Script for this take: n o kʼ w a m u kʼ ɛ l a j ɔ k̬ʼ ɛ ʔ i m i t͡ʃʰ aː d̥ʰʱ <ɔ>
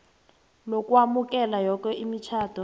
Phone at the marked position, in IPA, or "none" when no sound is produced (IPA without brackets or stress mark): ɔ